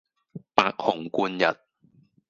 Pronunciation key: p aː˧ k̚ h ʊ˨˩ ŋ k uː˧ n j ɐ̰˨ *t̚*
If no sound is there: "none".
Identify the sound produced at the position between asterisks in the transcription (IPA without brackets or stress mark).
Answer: t̚